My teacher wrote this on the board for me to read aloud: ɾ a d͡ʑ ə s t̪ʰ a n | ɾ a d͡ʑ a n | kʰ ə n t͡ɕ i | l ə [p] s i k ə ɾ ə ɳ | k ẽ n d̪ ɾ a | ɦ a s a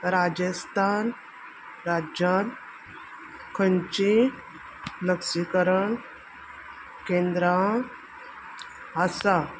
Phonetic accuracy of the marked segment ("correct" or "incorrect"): incorrect